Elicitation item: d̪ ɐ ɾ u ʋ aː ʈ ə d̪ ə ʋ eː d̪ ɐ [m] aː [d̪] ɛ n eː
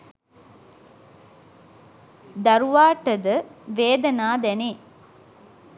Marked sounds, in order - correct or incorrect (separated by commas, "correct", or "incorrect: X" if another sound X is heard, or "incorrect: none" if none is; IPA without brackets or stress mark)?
incorrect: n, correct